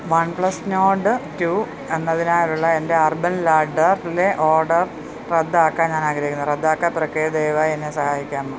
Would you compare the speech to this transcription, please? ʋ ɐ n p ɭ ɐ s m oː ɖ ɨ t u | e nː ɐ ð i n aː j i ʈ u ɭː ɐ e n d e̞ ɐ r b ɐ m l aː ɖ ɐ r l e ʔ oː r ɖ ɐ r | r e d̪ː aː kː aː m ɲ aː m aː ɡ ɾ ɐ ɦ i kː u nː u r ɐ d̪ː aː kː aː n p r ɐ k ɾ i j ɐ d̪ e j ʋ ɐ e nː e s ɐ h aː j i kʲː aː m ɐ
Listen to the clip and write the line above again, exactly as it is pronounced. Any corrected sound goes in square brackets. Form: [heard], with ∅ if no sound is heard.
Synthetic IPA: ʋ ɐ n p ɭ ɐ s [n] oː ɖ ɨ t u | e nː ɐ ð i n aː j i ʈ u ɭː ɐ e n d e̞ ɐ r b ɐ [n] l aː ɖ ɐ r l e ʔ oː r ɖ ɐ r | r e d̪ː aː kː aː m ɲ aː [n] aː ɡ ɾ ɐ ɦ i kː u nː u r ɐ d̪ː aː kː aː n p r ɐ k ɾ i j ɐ d̪ e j ʋ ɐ e nː e s ɐ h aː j i kʲː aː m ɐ